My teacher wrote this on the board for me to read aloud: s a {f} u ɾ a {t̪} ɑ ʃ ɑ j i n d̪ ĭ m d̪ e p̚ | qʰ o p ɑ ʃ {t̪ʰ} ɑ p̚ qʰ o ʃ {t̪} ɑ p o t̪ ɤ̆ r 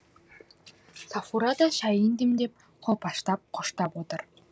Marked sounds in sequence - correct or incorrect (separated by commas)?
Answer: correct, incorrect, incorrect, correct